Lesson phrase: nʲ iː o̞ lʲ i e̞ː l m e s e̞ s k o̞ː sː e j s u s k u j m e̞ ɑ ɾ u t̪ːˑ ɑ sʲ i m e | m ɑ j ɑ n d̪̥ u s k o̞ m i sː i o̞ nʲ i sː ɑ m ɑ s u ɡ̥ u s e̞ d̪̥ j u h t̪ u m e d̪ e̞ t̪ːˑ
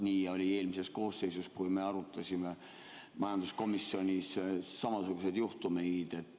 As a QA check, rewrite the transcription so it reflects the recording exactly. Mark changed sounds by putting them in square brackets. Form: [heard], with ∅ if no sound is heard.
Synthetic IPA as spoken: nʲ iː o̞ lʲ i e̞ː l m [i] s e̞ s k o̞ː sː e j s u s k u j m e̞ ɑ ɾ u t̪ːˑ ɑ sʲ i m e | m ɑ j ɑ n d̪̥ u s k o̞ m i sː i o̞ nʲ i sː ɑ m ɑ s u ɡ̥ u s e̞ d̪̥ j u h t̪ u m e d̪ e̞ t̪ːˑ